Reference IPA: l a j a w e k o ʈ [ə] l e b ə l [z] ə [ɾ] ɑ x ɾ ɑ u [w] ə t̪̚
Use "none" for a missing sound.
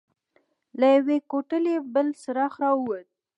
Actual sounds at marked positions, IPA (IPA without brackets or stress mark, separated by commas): ə, s, ɾ, w